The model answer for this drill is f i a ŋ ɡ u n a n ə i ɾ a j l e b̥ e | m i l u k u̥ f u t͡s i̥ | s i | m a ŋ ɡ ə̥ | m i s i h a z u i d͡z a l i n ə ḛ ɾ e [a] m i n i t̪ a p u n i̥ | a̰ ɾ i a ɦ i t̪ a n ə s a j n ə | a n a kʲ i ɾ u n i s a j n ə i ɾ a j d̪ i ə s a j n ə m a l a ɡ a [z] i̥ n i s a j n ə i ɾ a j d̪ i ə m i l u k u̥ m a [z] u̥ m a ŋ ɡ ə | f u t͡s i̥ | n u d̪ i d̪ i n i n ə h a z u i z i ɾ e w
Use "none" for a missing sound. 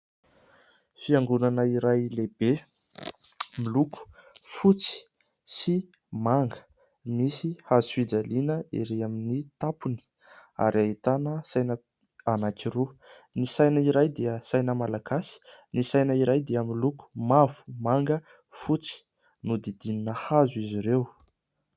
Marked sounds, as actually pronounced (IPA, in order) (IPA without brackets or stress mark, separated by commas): a, s, v